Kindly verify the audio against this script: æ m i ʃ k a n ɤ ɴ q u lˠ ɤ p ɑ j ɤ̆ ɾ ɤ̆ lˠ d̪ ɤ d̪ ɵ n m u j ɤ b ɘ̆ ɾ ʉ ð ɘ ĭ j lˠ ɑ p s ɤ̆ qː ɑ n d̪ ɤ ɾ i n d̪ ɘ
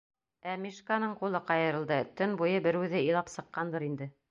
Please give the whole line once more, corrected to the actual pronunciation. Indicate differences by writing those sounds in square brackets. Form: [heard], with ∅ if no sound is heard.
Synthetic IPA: æ m i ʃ k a n ɤ ɴ q u lˠ ɤ [q] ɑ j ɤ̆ ɾ ɤ̆ lˠ d̪ ɤ [t̪] ɵ n [b] u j ɤ b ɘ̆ ɾ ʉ ð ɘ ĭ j lˠ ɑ p s ɤ̆ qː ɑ n d̪ ɤ ɾ i n d̪ ɘ